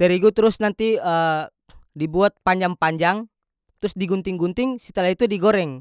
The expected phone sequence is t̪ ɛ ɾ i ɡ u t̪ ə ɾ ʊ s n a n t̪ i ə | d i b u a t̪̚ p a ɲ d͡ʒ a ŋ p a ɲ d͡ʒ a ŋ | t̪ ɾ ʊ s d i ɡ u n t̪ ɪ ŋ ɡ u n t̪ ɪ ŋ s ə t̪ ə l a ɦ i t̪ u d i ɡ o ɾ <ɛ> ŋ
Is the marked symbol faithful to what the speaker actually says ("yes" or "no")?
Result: yes